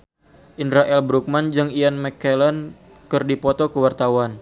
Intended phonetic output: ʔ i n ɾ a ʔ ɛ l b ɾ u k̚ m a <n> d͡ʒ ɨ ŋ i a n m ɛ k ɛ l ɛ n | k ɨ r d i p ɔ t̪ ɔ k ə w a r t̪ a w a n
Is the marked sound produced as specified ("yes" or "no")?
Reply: yes